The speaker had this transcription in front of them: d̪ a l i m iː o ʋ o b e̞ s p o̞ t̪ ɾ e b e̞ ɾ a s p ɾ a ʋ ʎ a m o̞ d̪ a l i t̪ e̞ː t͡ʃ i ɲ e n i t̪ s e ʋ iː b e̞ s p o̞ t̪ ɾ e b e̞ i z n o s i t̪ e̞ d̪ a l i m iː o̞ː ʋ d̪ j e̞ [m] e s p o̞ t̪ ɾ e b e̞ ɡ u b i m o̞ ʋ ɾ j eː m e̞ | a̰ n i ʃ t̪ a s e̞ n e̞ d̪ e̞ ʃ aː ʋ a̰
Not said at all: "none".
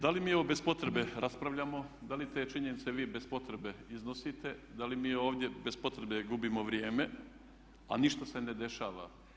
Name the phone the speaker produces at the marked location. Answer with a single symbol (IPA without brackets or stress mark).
b